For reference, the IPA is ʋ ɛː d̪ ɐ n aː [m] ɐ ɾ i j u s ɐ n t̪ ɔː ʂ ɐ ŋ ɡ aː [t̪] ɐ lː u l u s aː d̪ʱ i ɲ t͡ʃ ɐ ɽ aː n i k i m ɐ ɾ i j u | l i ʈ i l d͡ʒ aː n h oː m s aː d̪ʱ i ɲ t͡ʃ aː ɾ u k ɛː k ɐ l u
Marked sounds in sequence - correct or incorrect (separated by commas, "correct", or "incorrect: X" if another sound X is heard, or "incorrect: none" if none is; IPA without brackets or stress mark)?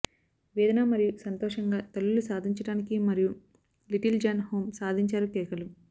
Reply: correct, correct